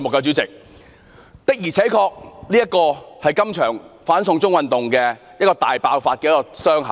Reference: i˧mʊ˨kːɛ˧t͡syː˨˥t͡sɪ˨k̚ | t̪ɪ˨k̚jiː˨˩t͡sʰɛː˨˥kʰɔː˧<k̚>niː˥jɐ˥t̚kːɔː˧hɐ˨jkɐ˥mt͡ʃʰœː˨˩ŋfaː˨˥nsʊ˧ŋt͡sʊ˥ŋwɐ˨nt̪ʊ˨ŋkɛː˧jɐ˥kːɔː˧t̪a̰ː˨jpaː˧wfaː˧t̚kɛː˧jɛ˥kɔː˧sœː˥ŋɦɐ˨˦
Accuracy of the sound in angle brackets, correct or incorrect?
correct